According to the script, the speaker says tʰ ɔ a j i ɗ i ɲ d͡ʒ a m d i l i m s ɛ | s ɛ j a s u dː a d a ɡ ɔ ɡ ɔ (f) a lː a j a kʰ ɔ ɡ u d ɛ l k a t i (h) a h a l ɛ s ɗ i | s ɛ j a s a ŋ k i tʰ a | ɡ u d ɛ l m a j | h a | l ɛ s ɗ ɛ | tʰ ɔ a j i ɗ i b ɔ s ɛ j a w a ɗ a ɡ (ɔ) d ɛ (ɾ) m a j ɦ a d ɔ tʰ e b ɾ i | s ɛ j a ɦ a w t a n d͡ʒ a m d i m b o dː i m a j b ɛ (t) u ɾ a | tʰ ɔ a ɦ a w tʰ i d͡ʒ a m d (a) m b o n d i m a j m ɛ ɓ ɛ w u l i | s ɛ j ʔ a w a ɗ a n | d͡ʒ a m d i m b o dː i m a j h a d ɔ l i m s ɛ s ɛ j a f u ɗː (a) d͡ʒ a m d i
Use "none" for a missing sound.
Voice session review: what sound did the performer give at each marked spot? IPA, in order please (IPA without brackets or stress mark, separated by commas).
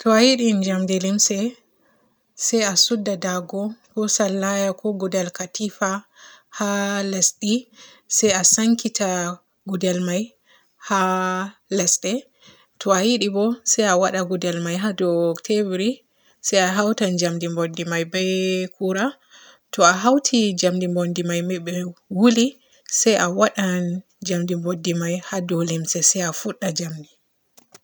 s, f, u, l, k, i, a